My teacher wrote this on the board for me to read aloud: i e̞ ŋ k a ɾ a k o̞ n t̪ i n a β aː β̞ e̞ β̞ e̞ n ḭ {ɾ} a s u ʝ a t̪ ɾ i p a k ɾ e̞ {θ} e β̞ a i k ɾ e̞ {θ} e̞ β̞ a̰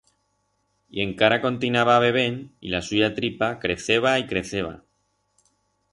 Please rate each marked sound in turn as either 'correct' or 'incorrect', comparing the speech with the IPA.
incorrect: l, correct, correct

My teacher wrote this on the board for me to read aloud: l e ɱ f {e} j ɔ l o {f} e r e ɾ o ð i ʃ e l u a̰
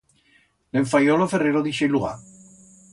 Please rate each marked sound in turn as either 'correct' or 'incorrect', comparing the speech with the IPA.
incorrect: a, correct

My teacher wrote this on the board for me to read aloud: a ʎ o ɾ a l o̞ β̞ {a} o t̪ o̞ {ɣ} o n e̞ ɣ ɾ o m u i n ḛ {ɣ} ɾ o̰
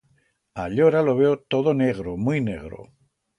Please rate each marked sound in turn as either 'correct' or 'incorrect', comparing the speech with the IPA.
incorrect: e, incorrect: ð, correct

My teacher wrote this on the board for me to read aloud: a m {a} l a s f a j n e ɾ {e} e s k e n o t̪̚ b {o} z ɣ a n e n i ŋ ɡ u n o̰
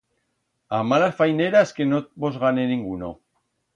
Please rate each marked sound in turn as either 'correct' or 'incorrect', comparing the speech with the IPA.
correct, incorrect: a, correct

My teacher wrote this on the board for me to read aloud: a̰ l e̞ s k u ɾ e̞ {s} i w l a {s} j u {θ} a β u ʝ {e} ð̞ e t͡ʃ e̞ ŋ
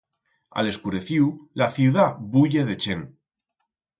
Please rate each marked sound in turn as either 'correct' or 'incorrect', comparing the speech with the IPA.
incorrect: θ, incorrect: θ, incorrect: ð, correct

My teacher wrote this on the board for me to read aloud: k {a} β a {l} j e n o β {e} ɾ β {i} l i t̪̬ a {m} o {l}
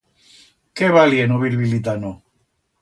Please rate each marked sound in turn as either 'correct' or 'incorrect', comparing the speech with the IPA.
incorrect: e, correct, incorrect: i, correct, incorrect: n, incorrect: none

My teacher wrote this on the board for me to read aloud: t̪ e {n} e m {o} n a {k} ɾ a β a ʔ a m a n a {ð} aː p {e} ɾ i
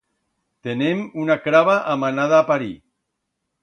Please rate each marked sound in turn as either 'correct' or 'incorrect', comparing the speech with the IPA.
correct, incorrect: u, correct, correct, incorrect: a

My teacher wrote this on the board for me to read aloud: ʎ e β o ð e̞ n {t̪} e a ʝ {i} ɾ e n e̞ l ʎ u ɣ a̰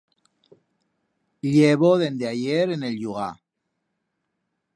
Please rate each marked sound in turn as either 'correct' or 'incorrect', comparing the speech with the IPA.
incorrect: d̪, incorrect: e

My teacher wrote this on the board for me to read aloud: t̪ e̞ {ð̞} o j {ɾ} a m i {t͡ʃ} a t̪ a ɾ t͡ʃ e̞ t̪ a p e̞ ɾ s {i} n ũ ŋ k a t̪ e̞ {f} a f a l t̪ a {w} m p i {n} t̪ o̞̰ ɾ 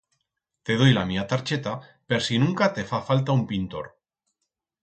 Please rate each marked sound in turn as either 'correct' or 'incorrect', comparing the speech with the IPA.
correct, incorrect: l, incorrect: none, correct, correct, incorrect: u, correct

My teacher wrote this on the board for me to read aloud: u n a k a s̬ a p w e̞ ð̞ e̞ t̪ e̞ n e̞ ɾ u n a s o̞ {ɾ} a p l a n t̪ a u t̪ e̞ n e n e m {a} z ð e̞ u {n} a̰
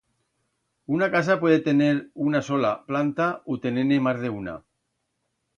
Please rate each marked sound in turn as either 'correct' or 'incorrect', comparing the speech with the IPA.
incorrect: l, correct, correct

